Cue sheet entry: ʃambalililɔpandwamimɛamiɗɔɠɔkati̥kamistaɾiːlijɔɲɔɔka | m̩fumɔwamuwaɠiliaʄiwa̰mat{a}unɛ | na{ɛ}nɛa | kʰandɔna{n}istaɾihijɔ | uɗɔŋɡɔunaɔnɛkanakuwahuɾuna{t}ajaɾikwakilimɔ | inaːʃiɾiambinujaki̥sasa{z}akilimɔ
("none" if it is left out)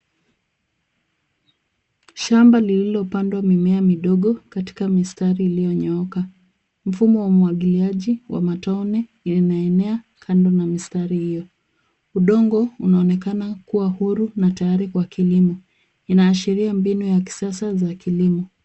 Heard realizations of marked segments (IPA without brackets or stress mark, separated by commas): a, ɛ, m, t, z